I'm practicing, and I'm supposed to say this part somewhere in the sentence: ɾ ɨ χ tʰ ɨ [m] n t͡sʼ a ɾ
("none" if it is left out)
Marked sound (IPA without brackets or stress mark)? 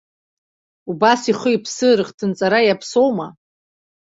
none